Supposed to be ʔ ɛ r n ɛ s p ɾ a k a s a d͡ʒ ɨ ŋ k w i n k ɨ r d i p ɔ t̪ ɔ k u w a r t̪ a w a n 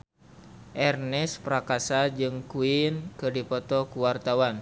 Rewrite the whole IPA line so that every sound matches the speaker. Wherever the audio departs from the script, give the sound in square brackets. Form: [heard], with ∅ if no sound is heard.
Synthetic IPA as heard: ʔ ɛ r n ɛ s p ɾ a k a s a d͡ʒ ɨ ŋ k [u] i n k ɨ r d i p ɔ t̪ ɔ k u w a r t̪ a w a n